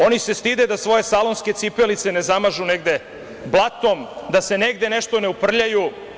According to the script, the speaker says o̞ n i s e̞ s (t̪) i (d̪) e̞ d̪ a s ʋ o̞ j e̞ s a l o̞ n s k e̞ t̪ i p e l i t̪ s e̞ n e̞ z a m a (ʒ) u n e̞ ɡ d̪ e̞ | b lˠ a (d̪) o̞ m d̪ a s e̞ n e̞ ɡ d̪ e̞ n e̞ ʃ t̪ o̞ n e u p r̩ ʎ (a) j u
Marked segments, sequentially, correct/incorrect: correct, correct, correct, incorrect: t̪, correct

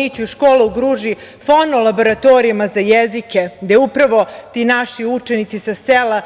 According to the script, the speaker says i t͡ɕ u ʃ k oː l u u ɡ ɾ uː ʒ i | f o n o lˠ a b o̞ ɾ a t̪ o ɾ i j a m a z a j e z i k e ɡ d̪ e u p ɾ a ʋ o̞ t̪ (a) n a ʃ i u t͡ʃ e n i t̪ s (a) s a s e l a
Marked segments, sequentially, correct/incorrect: incorrect: i, incorrect: i

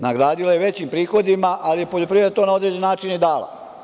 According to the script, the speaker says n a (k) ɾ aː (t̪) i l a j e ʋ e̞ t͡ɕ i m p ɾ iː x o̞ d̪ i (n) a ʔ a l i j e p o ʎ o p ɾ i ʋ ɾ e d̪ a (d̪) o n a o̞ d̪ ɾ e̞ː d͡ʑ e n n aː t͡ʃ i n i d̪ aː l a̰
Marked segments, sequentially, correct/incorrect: incorrect: ɡ, incorrect: d̪, incorrect: m, incorrect: t̪

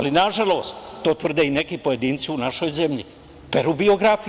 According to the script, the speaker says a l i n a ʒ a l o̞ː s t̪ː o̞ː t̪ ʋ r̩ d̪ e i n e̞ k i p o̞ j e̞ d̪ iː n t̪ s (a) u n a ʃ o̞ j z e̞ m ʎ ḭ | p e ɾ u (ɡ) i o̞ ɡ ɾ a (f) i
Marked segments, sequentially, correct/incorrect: incorrect: i, incorrect: b, correct

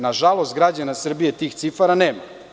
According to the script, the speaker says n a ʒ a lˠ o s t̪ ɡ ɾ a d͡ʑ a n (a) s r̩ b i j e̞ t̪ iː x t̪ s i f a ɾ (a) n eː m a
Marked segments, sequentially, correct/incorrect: correct, correct

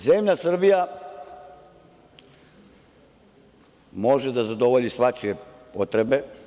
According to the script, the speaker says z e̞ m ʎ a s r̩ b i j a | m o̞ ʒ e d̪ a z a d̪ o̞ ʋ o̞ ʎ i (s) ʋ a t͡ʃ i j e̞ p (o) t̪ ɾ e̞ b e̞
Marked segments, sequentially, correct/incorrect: correct, correct

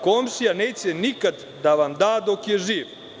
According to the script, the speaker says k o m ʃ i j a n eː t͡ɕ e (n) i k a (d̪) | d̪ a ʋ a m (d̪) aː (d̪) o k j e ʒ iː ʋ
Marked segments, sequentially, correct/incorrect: correct, correct, correct, correct

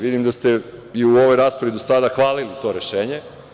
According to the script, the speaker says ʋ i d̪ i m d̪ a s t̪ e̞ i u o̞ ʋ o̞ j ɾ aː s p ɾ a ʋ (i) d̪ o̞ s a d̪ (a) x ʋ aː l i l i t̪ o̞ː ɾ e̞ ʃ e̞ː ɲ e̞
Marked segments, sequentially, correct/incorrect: correct, correct

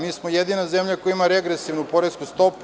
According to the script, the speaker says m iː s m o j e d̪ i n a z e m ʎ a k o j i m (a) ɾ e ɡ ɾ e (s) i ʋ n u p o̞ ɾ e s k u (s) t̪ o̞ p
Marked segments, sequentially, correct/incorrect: correct, correct, correct

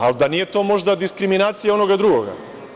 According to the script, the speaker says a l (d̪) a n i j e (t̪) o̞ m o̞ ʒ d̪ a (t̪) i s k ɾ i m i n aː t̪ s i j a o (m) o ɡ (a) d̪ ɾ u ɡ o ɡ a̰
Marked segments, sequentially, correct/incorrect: correct, correct, incorrect: d̪, incorrect: n, correct

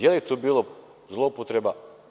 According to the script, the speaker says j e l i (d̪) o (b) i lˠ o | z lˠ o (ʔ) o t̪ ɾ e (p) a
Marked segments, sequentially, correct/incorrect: incorrect: t̪, correct, incorrect: p, incorrect: b

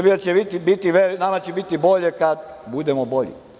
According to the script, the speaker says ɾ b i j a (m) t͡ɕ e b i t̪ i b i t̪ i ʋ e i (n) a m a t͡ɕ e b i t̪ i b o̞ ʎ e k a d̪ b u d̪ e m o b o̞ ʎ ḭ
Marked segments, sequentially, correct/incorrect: incorrect: none, correct

